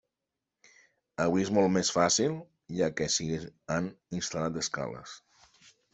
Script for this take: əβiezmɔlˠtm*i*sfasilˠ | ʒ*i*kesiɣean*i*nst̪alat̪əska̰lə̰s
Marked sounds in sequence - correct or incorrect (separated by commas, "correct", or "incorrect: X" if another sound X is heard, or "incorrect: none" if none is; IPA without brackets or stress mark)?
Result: incorrect: e, incorrect: a, correct